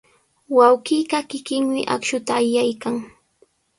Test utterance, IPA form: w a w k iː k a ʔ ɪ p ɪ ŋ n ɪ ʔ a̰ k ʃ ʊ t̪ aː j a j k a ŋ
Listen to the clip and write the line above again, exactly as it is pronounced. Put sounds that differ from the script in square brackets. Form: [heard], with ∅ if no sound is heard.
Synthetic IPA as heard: w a w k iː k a [k] ɪ [k] ɪ ŋ [m] ɪ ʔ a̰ k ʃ ʊ t̪ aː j a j k a ŋ